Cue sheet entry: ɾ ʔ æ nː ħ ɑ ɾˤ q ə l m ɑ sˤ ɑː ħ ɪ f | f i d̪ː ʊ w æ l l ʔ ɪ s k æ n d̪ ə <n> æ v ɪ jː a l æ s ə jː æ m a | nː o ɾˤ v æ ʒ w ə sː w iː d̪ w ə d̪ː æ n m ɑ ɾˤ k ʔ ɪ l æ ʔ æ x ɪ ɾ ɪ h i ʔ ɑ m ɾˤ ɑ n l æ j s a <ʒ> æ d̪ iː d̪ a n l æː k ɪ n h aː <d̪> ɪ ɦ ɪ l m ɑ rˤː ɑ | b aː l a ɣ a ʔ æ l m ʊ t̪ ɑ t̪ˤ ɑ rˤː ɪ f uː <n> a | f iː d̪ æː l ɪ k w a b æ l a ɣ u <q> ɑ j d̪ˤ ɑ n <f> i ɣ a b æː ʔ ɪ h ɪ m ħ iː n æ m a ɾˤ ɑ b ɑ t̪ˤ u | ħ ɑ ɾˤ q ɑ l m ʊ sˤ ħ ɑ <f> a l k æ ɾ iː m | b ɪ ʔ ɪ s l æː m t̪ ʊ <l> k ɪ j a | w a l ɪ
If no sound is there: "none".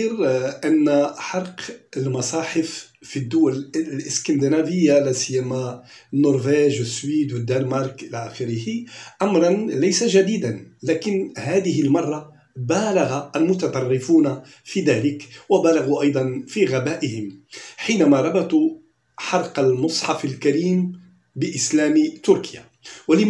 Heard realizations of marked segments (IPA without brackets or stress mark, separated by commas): n, ʒ, d̪, n, ʔ, f, f, ɾ